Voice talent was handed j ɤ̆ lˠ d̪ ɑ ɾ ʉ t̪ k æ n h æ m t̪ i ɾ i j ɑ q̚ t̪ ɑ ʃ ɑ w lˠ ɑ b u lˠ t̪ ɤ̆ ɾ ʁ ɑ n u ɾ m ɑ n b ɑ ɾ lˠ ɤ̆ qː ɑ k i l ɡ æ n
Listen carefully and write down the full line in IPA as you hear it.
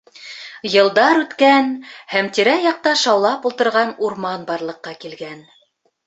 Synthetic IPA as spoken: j ɤ̆ lˠ d̪ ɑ ɾ ʉ t̪ k æ n h æ m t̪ i ɾ æ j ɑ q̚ t̪ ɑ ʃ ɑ w lˠ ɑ p u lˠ t̪ ɤ̆ ɾ ʁ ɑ n u ɾ m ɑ n b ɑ ɾ lˠ ɤ̆ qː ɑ k i l ɡ æ n